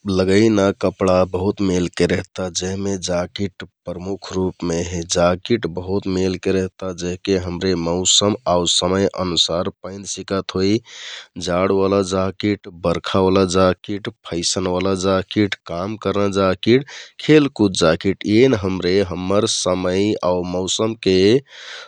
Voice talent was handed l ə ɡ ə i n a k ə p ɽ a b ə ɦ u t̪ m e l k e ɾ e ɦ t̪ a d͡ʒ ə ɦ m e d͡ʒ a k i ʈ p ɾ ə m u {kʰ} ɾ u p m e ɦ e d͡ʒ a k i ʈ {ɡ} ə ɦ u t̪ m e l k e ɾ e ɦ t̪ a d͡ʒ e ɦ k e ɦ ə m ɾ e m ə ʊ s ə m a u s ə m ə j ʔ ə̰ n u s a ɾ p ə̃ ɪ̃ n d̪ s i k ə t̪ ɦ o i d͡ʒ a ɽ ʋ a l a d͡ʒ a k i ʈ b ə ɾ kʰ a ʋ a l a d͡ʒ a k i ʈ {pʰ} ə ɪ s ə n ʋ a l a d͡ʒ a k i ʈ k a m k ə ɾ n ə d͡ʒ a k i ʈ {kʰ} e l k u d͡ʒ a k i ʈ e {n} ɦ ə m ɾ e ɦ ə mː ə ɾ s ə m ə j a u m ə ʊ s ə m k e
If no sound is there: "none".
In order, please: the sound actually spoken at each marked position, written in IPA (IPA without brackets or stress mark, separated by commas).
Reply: kʰ, b, pʰ, kʰ, n